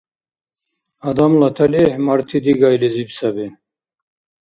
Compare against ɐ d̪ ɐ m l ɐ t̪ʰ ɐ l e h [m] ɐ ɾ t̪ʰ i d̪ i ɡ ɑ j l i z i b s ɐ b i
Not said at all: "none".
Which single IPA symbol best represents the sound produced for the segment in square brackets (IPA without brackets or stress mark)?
m